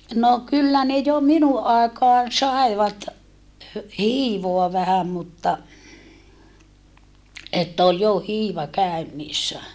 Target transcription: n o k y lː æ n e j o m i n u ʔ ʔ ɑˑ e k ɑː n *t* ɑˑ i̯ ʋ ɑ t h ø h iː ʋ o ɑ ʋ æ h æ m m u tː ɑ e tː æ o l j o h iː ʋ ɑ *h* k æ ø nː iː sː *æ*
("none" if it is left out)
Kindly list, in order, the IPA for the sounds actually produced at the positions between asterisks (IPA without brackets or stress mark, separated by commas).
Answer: s, none, æ